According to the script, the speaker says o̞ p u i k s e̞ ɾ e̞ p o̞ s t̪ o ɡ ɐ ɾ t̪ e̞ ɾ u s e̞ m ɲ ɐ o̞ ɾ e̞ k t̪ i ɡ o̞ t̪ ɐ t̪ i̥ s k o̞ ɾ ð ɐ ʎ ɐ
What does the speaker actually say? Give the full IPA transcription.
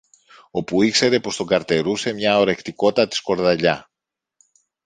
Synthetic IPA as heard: o̞ p u i k s e̞ ɾ e̞ p o̞ s t̪ o ɡ ɐ ɾ t̪ e̞ ɾ u s e̞ m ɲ ɐ o̞ ɾ e̞ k t̪ i k o̞ t̪ ɐ t̪ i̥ s k o̞ ɾ ð ɐ ʎ ɐ